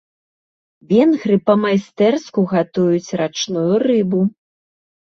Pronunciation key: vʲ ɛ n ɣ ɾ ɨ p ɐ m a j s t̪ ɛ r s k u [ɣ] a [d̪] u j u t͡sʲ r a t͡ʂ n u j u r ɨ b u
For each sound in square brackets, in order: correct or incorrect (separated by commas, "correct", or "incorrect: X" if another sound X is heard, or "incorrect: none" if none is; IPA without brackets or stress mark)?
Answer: correct, incorrect: t̪